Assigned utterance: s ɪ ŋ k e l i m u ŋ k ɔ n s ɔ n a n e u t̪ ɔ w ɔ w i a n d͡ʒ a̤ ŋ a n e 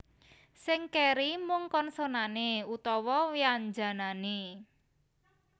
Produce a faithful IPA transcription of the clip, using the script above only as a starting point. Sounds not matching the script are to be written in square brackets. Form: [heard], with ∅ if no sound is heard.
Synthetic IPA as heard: s ɪ ŋ k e [ɾ] i m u ŋ k ɔ n s [o] n a n e u t̪ ɔ w ɔ w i a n d͡ʒ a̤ [n] a n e

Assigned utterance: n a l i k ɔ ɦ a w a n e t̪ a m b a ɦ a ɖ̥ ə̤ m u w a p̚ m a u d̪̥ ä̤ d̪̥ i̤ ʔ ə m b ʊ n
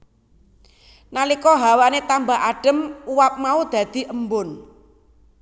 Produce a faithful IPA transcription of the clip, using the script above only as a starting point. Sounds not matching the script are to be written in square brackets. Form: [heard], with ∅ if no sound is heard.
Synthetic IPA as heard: n a l i k ɔ ɦ a w a n e t̪ a m b a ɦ a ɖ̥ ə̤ m u w a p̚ m a u d̪̥ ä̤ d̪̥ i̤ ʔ ə m b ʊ n

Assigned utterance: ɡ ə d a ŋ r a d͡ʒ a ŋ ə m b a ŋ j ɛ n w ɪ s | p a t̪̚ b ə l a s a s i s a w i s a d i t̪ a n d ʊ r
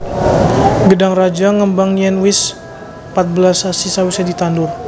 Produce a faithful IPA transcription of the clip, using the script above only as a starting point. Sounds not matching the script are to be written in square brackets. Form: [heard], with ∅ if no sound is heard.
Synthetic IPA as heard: ɡ ə d a ŋ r a d͡ʒ a ŋ ə m b a ŋ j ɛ n w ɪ s | p a t̪̚ b ə l a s a s i s a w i s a d i t̪ a n d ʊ r

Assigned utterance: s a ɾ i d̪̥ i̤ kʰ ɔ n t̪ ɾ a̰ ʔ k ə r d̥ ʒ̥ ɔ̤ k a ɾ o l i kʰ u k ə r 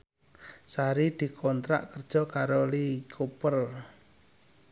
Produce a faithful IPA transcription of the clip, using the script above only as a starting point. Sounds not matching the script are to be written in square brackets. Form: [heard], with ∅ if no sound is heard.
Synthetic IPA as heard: s a ɾ i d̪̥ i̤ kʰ ɔ n t̪ ɾ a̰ ʔ k ə r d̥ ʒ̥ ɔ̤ k a ɾ o l i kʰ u [p] ə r

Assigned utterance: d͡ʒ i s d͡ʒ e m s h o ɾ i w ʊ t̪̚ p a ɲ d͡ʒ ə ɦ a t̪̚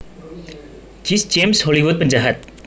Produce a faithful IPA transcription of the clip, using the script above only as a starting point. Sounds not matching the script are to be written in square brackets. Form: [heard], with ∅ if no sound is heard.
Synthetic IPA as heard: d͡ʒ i s d͡ʒ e m s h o [l] i w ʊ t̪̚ p [ə] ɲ d͡ʒ [a] ɦ a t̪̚

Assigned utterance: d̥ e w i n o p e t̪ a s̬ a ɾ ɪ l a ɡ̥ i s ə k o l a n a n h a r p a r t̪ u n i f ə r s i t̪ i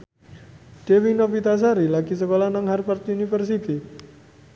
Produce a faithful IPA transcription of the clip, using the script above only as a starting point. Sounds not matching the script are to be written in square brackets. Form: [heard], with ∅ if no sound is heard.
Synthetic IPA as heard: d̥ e w i n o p [i] t̪ a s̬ a ɾ [i] l a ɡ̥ i s ə k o l a n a [ŋ] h a r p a r t̪ u n i f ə r s i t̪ i

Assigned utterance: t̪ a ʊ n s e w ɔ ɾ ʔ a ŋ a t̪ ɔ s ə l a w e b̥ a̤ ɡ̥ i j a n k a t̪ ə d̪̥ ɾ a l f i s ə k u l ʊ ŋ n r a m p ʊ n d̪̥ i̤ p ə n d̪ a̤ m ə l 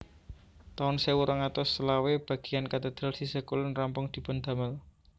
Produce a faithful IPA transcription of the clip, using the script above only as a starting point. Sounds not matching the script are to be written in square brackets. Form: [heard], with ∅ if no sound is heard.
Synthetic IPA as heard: t̪ a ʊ n s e w [u] ɾ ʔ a ŋ a t̪ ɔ s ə l a w e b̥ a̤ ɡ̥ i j a n k a t̪ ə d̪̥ ɾ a l [s] i s ə k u l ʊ [∅] n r a m p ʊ [ŋ] d̪̥ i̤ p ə n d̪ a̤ m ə l

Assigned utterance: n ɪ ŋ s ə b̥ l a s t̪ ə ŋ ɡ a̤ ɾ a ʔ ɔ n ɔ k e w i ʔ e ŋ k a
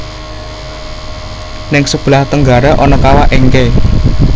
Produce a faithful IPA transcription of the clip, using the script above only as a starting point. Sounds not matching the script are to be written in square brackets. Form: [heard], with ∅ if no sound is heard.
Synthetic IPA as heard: n ɪ ŋ s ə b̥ l a [h] t̪ ə ŋ ɡ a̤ ɾ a ʔ ɔ n ɔ k [a] w [a] ʔ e ŋ k [e]

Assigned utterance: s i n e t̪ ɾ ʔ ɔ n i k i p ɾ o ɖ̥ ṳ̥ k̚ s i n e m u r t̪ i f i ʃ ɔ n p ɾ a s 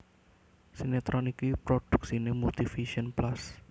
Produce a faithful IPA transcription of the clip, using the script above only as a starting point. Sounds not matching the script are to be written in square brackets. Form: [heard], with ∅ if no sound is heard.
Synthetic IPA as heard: s i n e t̪ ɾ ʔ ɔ n i k i p ɾ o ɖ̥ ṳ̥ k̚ s i n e m u [l] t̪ i f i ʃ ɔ n p [l] a s

